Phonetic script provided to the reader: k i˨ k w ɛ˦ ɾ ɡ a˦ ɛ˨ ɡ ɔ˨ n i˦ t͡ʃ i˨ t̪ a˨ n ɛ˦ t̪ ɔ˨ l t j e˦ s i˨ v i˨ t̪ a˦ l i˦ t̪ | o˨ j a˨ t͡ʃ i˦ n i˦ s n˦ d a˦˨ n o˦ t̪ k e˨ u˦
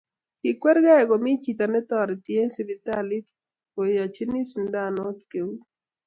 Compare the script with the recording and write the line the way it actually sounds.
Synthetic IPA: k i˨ k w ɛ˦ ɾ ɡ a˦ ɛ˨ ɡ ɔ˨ m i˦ t͡ʃ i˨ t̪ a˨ n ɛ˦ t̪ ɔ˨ ɾ t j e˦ s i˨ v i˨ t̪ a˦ l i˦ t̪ | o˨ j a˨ t͡ʃ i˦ n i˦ s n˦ d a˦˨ n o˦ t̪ k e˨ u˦